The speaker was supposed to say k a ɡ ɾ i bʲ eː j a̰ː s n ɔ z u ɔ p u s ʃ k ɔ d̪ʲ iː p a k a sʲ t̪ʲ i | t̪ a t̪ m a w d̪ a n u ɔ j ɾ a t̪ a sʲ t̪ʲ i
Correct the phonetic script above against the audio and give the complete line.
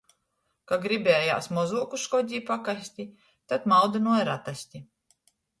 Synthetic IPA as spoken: k a ɡ ɾ i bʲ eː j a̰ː s m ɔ z u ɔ k u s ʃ k ɔ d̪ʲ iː p a k a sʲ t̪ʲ i | t̪ a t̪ m a w d̪ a n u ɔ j ɾ a t̪ a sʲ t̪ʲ i